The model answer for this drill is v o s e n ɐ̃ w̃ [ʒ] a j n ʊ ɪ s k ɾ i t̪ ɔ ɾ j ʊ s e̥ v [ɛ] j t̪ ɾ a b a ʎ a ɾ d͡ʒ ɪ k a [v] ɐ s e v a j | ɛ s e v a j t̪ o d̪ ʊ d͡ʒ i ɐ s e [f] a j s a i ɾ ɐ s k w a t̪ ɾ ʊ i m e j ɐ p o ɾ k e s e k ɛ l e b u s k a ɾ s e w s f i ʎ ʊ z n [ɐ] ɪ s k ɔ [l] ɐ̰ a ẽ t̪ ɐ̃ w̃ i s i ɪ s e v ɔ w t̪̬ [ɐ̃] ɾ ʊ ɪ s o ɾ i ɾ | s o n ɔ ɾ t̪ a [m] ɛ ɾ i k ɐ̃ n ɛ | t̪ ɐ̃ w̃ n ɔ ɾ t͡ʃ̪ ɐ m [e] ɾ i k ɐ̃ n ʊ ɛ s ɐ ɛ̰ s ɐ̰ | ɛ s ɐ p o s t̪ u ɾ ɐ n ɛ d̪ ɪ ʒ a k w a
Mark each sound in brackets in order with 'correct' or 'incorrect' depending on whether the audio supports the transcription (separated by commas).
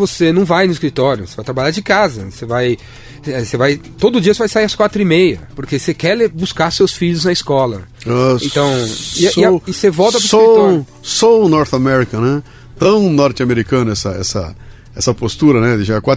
incorrect, incorrect, incorrect, incorrect, correct, correct, incorrect, correct, correct